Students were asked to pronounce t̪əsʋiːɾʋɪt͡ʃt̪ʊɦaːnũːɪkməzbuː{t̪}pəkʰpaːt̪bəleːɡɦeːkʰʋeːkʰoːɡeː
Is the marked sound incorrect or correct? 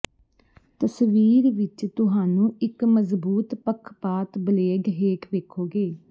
correct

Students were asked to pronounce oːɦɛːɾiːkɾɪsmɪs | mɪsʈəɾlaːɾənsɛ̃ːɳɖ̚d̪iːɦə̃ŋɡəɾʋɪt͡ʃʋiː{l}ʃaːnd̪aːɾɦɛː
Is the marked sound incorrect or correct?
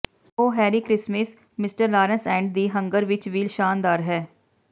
correct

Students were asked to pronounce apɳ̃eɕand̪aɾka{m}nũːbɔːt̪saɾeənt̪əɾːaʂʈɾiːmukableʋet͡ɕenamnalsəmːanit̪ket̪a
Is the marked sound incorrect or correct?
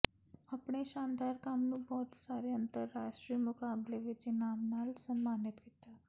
correct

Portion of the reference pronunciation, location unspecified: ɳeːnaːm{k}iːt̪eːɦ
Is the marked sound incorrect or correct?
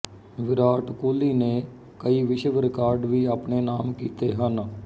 correct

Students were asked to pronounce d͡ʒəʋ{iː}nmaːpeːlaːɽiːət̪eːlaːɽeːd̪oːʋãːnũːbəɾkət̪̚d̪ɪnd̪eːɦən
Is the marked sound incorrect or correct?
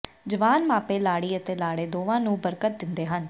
incorrect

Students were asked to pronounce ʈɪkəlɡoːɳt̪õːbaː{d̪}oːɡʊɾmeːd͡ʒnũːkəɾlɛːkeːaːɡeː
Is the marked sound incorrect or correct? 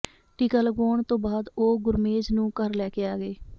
correct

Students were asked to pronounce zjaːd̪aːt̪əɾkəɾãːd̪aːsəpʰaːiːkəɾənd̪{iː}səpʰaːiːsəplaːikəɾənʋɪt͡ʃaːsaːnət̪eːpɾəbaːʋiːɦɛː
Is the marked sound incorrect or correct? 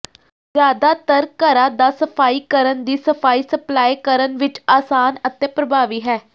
correct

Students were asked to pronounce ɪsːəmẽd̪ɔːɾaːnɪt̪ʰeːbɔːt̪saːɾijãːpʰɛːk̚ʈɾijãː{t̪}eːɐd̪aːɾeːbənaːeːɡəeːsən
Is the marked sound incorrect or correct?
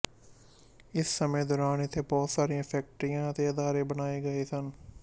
correct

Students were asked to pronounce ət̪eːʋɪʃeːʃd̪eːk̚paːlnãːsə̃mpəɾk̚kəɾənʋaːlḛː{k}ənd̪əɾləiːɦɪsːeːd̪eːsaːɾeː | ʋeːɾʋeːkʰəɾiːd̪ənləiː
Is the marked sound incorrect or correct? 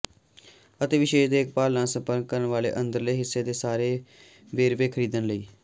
incorrect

